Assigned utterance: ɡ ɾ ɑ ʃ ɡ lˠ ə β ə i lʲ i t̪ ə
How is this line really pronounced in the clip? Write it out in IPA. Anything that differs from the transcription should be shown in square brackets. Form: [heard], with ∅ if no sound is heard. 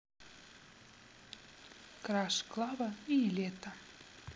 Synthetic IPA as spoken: [k] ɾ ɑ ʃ [k] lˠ [ɑ] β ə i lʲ [e] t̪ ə